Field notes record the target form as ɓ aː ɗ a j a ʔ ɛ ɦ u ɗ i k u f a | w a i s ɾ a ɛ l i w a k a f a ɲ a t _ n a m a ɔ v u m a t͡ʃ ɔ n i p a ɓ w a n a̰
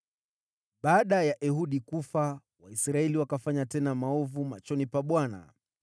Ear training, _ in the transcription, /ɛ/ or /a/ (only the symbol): ɛ